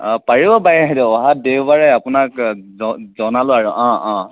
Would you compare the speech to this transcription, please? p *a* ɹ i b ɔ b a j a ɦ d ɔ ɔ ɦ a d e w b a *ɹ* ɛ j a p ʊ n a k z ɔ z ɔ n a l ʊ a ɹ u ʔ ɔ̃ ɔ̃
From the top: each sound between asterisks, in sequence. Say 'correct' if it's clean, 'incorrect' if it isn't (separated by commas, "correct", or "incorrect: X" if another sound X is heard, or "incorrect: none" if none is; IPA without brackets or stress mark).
correct, correct